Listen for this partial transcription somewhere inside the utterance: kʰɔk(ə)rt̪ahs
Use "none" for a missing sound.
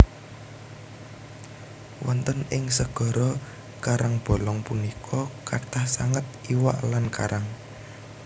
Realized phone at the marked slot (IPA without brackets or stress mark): a